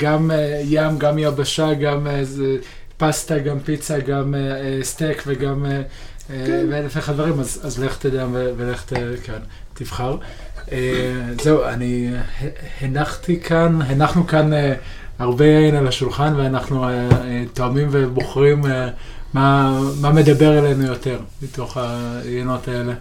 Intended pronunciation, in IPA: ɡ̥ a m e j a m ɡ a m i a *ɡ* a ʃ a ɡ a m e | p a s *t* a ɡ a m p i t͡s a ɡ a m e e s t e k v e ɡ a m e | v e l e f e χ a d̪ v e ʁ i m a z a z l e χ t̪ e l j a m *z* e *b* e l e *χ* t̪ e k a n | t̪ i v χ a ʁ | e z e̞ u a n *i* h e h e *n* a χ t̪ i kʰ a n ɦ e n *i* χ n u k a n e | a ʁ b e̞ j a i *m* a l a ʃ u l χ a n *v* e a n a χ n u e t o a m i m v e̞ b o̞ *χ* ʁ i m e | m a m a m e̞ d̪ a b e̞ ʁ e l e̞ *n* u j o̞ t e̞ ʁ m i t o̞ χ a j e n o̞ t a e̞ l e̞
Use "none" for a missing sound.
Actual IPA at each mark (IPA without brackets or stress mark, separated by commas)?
b, t, v, v, χ, i, n, a, n, v, χ, n